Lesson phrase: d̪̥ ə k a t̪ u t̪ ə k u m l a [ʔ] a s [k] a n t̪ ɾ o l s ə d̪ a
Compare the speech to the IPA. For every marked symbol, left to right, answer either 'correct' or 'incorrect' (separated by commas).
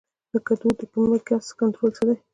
incorrect, correct